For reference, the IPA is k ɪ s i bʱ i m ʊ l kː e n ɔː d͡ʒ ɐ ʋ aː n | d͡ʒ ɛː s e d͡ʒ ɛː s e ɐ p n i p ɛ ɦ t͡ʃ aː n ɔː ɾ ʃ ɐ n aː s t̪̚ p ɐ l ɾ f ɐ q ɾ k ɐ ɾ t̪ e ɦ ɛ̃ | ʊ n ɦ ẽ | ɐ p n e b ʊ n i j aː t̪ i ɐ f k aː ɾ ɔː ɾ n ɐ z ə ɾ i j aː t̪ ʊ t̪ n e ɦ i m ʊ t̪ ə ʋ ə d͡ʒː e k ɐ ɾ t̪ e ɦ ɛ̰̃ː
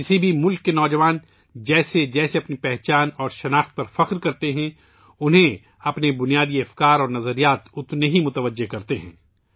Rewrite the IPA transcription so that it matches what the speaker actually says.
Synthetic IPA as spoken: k ɪ s i bʱ i m ʊ l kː e n ɔː d͡ʒ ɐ ʋ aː n | d͡ʒ ɛː s e d͡ʒ ɛː s e ɐ p n i p ɛ ɦ t͡ʃ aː n ɔː ɾ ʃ ɐ n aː x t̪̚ p ɐ ɾ f ɐ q ɾ k ɐ ɾ t̪ e ɦ ɛ̃ | ʊ n ɦ ẽ | ɐ p n e b ʊ n i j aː d̪ i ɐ f k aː ɾ ɔː ɾ n ɐ z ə ɾ i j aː t̪ ʊ t̪ n e ɦ i m ʊ t̪ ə ʋ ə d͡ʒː e k ɐ ɾ t̪ e ɦ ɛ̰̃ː